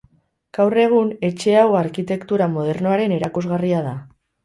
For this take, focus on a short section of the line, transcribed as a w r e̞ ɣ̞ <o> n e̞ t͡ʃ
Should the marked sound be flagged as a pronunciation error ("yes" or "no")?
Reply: yes